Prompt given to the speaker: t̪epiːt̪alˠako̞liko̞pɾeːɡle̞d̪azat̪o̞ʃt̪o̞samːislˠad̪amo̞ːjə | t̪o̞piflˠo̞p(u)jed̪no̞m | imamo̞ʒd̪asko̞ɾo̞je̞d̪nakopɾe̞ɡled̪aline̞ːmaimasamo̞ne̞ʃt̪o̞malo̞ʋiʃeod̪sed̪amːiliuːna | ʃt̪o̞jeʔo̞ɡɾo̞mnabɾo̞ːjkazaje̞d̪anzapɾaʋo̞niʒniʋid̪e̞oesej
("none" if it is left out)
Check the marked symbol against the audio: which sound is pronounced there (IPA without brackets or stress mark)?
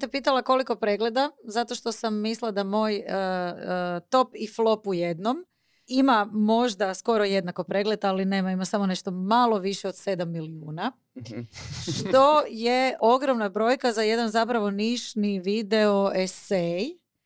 u